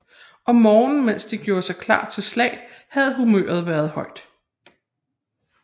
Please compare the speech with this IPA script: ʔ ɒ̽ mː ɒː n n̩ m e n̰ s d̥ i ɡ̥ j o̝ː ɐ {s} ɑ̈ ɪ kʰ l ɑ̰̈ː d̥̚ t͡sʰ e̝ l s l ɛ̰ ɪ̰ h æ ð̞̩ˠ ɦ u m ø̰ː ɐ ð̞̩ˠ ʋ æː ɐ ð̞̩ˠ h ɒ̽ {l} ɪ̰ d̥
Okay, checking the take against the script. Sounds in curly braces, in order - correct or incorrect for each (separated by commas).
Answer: correct, incorrect